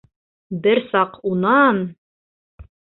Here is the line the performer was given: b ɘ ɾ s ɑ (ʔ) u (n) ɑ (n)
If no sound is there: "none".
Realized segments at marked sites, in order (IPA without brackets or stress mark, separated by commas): q, n, n